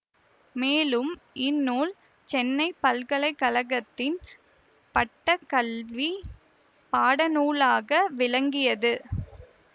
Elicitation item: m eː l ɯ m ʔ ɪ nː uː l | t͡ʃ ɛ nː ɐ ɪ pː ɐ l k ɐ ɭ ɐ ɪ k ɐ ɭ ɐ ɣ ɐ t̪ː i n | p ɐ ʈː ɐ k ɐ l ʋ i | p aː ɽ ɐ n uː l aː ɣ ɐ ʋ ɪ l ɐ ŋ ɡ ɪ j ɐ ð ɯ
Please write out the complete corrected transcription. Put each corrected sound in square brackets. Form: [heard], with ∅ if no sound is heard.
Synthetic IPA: m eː l ɯ m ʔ ɪ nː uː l | t͡ʃ ɛ nː ɐ ɪ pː ɐ l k ɐ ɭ ɐ ɪ k ɐ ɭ ɐ ɣ ɐ t̪ː [ɪ] n | p ɐ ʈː ɐ k ɐ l ʋ i | p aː ɽ ɐ n uː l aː ɣ ɐ ʋ ɪ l ɐ ŋ ɡ ɪ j ɐ ð ɯ